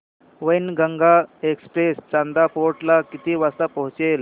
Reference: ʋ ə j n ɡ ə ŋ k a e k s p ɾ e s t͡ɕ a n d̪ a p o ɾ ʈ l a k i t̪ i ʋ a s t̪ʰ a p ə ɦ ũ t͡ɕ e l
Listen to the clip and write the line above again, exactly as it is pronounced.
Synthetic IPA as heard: ʋ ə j n ɡ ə ŋ ɡ a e k s p ɾ e s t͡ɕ a n d̪ a p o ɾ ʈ l a k i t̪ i ʋ a s t̪ a p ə ɦ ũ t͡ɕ e l